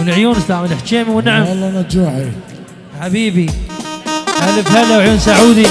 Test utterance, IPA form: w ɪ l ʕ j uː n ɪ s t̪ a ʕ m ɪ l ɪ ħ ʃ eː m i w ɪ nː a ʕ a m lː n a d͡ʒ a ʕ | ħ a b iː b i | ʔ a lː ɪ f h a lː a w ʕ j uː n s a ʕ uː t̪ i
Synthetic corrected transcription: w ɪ l ʕ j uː n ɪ s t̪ a ʕ m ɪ l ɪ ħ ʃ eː m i w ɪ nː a ʕ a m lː n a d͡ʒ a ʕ | ħ a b iː b i | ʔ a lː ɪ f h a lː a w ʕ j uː n s a ʕ uː d̪ i